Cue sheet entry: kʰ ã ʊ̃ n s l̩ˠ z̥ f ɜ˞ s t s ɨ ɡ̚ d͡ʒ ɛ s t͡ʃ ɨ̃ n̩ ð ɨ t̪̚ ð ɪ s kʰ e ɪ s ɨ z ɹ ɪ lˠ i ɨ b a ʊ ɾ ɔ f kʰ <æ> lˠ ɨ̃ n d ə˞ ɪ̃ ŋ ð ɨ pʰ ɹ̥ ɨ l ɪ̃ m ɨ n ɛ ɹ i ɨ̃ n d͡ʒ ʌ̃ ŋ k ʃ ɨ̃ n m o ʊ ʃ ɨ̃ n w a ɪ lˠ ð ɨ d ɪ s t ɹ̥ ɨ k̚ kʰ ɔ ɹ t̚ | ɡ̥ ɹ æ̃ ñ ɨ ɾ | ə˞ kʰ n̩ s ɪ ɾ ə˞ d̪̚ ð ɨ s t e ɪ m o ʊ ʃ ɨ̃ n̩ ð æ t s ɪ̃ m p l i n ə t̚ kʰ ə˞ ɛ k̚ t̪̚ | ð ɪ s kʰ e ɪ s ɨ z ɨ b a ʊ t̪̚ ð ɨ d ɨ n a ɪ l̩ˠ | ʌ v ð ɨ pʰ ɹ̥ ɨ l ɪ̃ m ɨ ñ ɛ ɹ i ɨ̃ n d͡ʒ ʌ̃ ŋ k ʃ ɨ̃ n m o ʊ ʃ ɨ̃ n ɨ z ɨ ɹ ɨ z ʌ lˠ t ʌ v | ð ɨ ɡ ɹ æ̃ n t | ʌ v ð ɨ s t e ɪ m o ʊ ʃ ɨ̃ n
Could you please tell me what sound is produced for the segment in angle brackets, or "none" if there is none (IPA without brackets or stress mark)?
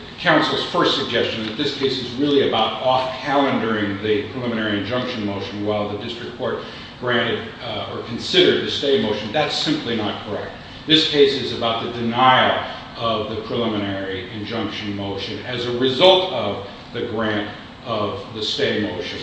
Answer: æ